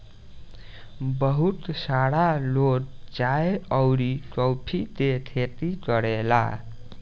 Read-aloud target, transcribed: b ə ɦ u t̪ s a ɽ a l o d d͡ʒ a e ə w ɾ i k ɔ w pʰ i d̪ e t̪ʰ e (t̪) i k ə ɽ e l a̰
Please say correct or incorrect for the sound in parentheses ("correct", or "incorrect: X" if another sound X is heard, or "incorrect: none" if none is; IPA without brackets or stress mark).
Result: correct